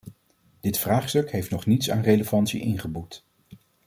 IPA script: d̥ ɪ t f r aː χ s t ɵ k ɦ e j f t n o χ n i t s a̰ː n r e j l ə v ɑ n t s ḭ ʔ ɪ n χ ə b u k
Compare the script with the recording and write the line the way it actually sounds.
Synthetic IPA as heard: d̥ ɪ t f r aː χ s t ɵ k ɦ e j f t n ɔ χ n i t s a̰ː n r e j l ə v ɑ n t s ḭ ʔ ɪ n χ ə b u t